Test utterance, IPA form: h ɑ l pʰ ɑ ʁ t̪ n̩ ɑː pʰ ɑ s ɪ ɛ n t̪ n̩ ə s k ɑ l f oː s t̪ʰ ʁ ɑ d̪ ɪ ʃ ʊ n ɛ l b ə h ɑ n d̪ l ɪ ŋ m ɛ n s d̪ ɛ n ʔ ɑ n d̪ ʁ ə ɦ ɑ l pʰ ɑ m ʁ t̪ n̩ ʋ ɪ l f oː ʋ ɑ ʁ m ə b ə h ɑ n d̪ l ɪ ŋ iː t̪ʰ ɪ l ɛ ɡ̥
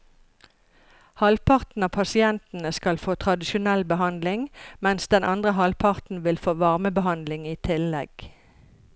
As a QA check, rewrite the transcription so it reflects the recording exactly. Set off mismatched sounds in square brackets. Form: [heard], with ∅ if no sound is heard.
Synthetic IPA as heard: h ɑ l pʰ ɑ ʁ t̪ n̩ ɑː pʰ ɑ s ɪ ɛ n t̪ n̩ ə s k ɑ l f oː [∅] t̪ʰ ʁ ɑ d̪ ɪ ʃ ʊ n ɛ l b ə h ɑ n d̪ l ɪ ŋ m ɛ n s d̪ ɛ n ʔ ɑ n d̪ ʁ ə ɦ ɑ l pʰ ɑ [∅] ʁ t̪ n̩ ʋ ɪ l f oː ʋ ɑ ʁ m ə b ə h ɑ n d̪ l ɪ ŋ iː t̪ʰ ɪ l ɛ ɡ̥